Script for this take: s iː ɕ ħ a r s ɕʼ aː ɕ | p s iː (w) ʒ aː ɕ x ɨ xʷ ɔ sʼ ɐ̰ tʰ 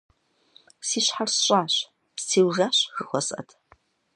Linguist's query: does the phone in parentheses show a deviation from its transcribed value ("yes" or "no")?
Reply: no